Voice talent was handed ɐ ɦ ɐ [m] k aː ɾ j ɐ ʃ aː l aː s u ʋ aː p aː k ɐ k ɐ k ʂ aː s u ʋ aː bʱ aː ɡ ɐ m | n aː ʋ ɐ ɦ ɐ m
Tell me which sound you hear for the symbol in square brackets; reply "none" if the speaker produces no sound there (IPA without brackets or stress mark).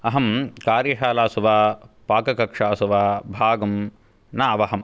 m